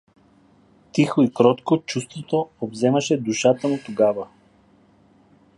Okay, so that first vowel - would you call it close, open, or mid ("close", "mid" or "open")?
close